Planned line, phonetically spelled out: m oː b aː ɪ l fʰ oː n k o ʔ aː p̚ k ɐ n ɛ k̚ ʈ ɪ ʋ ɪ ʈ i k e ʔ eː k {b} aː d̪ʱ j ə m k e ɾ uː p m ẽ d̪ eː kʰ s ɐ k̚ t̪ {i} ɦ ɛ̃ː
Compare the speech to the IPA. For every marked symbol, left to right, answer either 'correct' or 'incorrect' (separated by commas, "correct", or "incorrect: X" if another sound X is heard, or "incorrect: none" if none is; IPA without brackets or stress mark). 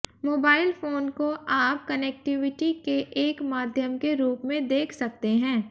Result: incorrect: m, incorrect: e